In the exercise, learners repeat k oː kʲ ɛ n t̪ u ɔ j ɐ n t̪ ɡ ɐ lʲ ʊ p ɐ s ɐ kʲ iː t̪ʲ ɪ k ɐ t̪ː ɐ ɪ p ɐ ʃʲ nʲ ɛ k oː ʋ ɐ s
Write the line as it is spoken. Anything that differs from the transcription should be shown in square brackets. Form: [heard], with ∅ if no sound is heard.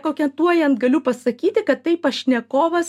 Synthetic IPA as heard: k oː kʲ ɛ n t̪ u ɔ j ɐ n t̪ ɡ ɐ lʲ ʊ p ɐ s ɐ kʲ iː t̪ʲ ɪ k ɐ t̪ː ɐ ɪ p ɐ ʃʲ nʲ ɛ k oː ʋ ɐ s